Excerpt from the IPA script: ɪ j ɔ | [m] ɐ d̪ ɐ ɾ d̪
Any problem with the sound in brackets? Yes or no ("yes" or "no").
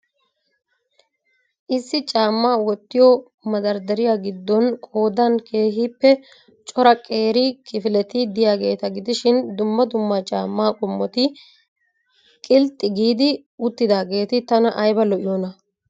no